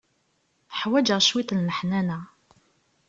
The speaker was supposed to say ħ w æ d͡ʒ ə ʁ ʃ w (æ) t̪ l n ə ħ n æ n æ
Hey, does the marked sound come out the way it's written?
no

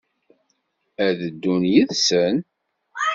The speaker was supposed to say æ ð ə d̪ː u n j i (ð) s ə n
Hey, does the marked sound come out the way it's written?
yes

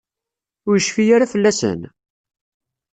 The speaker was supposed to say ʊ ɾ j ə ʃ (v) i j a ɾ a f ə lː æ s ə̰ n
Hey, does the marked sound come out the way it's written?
no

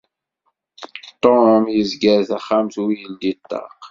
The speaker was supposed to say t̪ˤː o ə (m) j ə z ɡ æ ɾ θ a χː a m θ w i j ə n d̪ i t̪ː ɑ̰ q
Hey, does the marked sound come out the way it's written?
yes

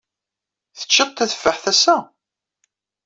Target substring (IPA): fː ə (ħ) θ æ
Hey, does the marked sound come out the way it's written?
yes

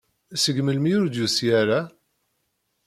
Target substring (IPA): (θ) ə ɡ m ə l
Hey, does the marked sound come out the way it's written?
no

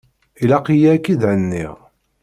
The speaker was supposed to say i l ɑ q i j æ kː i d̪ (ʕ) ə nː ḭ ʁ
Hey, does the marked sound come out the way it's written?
yes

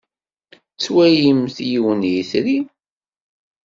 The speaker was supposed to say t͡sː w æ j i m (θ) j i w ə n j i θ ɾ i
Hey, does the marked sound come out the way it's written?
yes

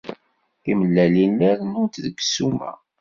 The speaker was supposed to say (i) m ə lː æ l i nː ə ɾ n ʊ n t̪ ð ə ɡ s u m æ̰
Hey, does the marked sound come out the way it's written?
yes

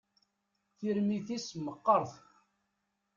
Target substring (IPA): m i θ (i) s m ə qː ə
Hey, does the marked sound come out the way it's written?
yes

